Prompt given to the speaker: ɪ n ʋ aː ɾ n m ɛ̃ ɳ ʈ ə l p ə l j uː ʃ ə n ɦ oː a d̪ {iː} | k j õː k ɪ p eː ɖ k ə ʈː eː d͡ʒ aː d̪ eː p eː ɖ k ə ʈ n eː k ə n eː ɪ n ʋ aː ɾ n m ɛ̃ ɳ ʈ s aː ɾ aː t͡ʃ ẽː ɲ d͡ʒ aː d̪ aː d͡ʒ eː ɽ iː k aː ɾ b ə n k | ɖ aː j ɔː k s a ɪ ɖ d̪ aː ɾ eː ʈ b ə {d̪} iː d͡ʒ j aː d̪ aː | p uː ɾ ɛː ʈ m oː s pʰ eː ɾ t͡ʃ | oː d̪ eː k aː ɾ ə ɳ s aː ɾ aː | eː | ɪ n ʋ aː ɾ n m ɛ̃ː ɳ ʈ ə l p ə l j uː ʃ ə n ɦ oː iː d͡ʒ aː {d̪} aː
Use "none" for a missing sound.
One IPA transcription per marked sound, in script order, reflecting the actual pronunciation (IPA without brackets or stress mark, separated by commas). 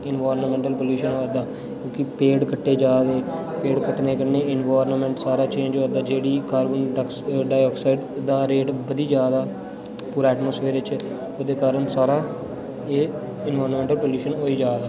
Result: aː, d̪, d̪